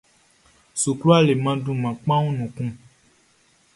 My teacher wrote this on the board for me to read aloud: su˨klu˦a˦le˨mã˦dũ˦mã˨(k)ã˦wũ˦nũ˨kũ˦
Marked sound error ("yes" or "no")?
yes